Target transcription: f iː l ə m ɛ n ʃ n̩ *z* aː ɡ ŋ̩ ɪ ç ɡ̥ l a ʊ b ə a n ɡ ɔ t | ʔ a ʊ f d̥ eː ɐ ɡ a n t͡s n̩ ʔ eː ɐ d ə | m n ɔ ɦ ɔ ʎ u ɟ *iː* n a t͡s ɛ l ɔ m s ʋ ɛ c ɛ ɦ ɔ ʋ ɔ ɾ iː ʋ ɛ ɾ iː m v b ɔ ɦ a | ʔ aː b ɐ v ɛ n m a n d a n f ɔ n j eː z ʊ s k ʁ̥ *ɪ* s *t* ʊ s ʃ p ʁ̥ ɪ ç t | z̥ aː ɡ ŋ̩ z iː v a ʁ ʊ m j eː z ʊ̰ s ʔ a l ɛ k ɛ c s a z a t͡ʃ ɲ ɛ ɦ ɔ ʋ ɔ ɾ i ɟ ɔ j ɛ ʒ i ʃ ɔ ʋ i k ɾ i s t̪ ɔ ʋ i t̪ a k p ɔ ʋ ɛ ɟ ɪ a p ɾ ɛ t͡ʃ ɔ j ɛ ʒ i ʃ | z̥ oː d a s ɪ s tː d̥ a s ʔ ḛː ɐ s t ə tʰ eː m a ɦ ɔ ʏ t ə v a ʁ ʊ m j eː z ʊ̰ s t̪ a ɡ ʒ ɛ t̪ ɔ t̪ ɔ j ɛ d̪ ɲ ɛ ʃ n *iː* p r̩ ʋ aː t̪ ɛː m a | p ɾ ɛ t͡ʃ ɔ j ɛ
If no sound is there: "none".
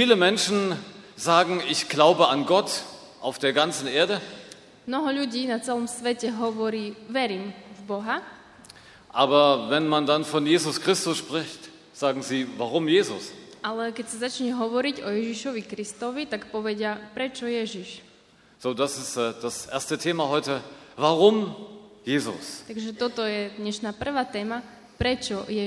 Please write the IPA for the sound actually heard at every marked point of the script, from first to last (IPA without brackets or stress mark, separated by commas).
z, iː, ɪ, t, aː